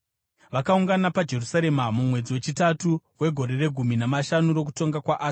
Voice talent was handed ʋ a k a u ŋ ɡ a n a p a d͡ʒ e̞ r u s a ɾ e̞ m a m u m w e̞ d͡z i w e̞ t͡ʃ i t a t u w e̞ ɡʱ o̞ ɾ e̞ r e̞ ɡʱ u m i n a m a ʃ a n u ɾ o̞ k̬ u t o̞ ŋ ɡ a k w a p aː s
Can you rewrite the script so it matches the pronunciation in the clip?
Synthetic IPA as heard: ʋ a k a u ŋ ɡ a n a p a d͡ʒ e̞ r u s a ɾ e̞ m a m u m w e̞ d͡z i w e̞ t͡ʃ i t a t u w e̞ ɡʱ o̞ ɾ e̞ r e̞ ɡʱ u m i n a m a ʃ a n u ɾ o̞ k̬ u t o̞ ŋ ɡ a k w a ʔ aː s